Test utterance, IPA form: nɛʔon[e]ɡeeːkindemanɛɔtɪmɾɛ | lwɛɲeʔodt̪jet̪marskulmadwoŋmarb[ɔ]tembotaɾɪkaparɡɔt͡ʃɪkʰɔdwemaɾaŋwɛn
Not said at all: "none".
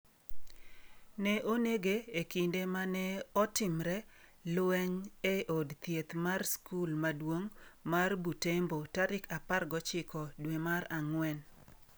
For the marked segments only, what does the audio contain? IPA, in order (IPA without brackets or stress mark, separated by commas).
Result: e, u